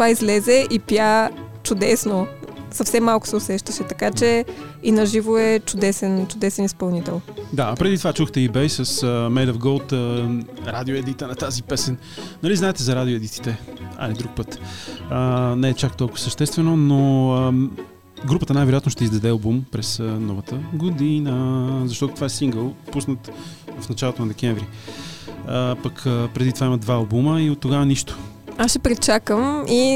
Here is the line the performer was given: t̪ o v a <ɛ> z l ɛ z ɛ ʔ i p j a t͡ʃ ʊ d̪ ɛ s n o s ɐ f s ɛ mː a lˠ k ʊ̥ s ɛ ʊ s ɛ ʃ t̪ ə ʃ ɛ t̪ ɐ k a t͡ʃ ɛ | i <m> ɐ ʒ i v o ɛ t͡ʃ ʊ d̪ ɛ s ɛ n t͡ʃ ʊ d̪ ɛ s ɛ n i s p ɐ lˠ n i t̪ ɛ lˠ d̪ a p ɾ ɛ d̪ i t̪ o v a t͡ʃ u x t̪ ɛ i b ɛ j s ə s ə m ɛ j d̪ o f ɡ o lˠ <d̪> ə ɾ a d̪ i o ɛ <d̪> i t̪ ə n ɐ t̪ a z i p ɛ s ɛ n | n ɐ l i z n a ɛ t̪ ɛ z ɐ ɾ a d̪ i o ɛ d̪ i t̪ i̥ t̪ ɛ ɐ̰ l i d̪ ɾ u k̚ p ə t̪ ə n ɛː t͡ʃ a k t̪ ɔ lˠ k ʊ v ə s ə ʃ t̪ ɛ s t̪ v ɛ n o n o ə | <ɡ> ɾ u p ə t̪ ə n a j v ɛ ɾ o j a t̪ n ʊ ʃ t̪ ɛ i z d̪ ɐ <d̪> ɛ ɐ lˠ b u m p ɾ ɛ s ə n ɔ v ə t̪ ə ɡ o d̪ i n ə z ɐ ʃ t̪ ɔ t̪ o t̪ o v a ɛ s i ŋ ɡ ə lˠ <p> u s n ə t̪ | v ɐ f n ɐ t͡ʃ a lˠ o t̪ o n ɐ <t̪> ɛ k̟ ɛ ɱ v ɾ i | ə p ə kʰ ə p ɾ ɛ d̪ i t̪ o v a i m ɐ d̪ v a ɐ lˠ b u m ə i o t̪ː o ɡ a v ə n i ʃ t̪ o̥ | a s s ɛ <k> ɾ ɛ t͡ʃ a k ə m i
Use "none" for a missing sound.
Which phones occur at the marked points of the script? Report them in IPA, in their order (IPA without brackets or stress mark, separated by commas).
i, n, t̪, d̪, ɡ, d̪, p, d̪, p